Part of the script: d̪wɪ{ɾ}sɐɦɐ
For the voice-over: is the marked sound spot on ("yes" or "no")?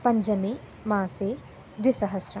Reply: no